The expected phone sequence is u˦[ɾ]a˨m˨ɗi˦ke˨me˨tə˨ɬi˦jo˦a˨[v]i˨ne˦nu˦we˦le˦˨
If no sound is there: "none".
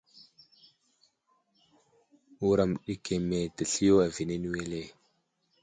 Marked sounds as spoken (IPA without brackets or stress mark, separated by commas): ɾ, v